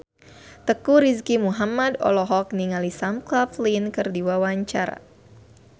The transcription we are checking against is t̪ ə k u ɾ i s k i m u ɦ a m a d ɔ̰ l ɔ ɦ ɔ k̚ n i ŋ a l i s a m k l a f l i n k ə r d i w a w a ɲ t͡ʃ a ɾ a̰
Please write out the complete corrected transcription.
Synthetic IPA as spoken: t̪ ə k u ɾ i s k i m u ɦ a m a d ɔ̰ l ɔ ɦ ɔ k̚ n i ŋ a l i s a m k l a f l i n k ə r d i w a w a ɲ t͡ʃ a ɾ a̰